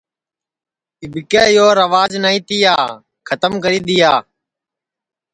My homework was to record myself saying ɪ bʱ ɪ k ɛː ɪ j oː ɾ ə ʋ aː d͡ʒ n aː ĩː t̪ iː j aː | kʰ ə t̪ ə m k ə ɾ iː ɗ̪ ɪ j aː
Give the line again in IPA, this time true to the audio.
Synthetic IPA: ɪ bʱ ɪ k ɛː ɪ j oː ɾ ə ʋ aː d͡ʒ n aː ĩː t̪ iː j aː | kʰ ə t̪ ə m k ə ɾ iː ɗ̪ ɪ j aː